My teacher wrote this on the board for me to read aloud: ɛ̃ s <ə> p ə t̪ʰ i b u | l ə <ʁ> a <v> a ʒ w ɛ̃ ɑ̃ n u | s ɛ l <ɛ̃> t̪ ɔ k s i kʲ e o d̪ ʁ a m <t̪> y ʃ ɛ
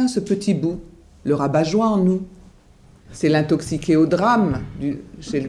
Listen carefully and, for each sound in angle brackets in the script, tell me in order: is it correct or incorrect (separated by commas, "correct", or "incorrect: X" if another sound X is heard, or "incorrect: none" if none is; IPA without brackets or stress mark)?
correct, correct, incorrect: b, correct, incorrect: d̪